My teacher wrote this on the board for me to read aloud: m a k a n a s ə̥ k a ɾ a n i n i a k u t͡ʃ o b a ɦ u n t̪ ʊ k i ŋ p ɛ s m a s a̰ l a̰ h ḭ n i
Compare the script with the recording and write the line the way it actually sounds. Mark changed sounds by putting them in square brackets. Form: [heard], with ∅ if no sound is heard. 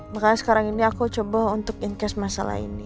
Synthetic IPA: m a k a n a s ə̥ k a ɾ a [ŋ] i n i a k u t͡ʃ o b a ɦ u n t̪ ʊ k i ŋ [k] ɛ s m a s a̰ l a̰ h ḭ n i